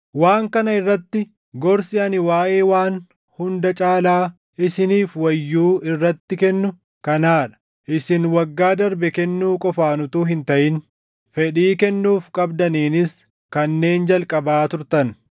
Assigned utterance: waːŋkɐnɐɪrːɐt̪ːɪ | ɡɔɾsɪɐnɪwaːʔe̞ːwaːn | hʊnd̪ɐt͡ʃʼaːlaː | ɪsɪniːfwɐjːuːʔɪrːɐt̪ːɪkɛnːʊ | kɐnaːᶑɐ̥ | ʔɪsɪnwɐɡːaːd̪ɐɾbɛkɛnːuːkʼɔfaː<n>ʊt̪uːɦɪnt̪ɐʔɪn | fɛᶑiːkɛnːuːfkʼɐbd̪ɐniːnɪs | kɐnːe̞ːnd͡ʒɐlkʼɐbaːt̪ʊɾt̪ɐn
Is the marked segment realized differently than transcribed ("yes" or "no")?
no